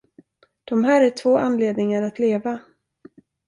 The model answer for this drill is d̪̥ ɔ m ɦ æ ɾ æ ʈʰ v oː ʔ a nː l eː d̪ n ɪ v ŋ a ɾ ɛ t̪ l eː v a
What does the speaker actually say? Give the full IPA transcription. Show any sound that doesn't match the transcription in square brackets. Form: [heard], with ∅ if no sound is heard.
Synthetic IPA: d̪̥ ɔ m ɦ [æː] ɾ æ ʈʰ v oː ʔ a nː l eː d̪ n ɪ [∅] ŋ a ɾ [a] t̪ l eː v a